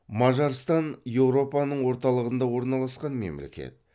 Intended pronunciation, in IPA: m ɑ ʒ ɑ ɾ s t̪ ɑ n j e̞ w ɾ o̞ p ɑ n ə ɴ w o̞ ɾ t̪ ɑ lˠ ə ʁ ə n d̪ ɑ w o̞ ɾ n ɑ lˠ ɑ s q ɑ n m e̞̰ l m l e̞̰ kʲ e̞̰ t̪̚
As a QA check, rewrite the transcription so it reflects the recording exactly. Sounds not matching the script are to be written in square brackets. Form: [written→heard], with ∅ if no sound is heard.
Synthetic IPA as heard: m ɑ ʒ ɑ ɾ s t̪ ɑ n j e̞ w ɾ o̞ p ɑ n ə ɴ w o̞ ɾ t̪ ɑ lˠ ə ʁ ə n d̪ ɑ w o̞ ɾ n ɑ lˠ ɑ s q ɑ n m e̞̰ [l→∅] m l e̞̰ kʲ e̞̰ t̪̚